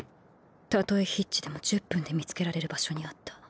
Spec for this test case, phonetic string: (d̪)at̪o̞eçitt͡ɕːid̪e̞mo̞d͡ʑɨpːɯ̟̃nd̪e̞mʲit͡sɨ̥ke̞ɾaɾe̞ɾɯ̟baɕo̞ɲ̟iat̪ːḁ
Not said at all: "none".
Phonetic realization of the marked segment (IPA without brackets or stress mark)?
t̪